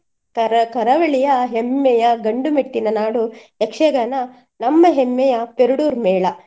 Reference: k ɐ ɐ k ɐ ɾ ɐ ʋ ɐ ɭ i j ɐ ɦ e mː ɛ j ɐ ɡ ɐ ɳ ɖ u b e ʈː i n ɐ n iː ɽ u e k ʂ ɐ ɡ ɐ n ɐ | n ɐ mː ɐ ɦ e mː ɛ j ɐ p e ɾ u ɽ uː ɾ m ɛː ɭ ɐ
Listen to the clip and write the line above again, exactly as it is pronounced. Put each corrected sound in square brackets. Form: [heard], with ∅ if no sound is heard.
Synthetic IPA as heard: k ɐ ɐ k ɐ ɾ ɐ ʋ ɐ ɭ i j ɐ ɦ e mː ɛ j ɐ ɡ ɐ ɳ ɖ u [m] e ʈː i n ɐ n [aː] ɽ u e k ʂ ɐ ɡ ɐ n ɐ | n ɐ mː ɐ ɦ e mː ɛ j ɐ p e ɾ u ɽ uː ɾ m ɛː ɭ ɐ

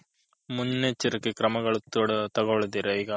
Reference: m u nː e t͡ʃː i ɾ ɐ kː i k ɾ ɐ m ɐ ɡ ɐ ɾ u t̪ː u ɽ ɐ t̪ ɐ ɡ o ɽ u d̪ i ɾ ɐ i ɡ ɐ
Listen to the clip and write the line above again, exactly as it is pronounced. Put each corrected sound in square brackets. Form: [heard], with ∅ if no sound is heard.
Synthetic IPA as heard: m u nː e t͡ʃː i ɾ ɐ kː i k ɾ ɐ m ɐ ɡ ɐ [ɭ] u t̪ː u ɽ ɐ t̪ ɐ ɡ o [ɭ] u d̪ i ɾ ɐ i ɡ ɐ

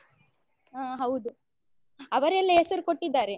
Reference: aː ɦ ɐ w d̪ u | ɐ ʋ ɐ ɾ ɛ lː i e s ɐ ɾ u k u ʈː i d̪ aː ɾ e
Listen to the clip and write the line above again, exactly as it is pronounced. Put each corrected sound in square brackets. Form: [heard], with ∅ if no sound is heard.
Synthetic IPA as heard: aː ɦ ɐ w d̪ u | ɐ ʋ ɐ ɾ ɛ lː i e s ɐ ɾ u k [o] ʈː i [d̪ː] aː ɾ e

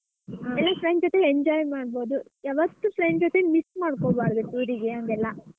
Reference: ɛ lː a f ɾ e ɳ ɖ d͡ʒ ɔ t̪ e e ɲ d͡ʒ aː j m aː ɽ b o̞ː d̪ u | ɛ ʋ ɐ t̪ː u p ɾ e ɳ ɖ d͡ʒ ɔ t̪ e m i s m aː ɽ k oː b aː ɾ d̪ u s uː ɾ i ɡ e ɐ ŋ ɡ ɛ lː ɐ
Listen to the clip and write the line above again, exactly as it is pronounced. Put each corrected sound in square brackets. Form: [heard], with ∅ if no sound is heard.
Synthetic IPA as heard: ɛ lː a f ɾ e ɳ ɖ d͡ʒ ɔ t̪ e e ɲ d͡ʒ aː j m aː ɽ b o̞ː d̪ u | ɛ ʋ ɐ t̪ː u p ɾ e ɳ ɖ d͡ʒ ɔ t̪ e m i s m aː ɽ k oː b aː ɾ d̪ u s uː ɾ i ɡ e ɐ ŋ ɡ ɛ lː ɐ

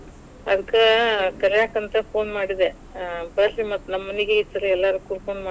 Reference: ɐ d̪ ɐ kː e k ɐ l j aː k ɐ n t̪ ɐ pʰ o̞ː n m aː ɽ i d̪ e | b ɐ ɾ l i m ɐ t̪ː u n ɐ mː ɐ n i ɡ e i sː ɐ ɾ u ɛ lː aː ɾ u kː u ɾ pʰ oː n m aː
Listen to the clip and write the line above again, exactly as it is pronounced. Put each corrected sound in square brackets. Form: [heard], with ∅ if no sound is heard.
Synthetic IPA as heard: ɐ d̪ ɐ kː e k ɐ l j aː k ɐ n t̪ ɐ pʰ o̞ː n m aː ɽ i d̪ e | b ɐ ɾ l i m ɐ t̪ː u n ɐ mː ɐ n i ɡ e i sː ɐ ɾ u ɛ lː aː ɾ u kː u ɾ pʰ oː n m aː

